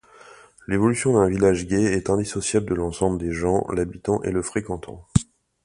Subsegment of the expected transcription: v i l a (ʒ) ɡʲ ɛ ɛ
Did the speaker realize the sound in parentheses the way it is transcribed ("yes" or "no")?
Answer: yes